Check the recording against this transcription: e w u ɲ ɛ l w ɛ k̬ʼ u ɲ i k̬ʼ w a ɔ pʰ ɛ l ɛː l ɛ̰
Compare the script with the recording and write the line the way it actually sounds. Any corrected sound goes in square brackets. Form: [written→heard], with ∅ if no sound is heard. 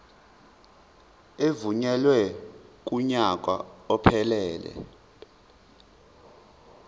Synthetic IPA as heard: e [w→v] u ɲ ɛ l w ɛ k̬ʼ u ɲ [i→a] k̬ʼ w a ɔ pʰ ɛ l ɛː l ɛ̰